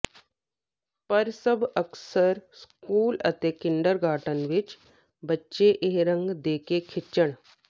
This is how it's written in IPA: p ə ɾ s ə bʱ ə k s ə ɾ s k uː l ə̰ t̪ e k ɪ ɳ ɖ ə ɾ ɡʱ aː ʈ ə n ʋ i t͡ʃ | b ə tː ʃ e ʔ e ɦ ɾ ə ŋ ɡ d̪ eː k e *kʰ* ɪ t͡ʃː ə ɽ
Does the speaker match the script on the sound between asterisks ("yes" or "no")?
yes